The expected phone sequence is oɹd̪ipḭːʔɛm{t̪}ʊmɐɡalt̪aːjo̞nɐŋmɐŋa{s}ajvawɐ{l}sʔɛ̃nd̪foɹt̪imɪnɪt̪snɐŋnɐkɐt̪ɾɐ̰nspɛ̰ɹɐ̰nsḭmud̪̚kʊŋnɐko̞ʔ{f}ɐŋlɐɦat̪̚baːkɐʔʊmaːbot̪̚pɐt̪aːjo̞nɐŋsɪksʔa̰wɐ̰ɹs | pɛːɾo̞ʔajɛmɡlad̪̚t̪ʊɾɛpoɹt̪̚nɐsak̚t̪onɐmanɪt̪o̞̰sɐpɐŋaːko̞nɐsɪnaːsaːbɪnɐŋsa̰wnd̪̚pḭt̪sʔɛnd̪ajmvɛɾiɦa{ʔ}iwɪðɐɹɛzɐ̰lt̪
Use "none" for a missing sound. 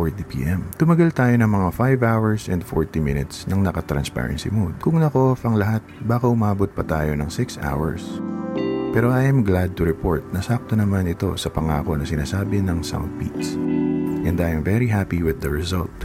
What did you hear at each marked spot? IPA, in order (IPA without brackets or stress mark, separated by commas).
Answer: t̪, f, ɹ, f, p